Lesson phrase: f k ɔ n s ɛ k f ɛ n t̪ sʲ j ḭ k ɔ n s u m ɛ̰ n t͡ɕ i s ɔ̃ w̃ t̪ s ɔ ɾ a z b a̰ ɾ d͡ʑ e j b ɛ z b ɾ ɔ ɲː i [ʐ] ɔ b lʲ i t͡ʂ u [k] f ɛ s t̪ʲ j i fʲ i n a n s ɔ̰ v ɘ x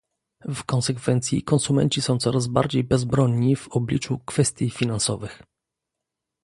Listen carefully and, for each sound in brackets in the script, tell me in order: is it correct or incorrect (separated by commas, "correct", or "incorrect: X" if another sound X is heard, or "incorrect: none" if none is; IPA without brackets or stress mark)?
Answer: incorrect: v, correct